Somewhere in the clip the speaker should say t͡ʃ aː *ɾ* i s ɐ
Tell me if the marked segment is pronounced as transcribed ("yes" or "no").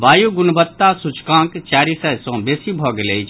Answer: yes